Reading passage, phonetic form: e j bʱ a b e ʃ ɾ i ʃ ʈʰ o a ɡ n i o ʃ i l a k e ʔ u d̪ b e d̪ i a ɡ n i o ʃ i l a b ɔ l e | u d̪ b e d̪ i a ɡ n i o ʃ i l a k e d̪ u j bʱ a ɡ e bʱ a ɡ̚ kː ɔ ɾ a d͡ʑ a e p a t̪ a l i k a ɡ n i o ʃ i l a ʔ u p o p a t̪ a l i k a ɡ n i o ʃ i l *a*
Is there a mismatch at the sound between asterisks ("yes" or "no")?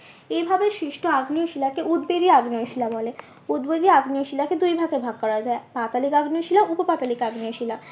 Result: no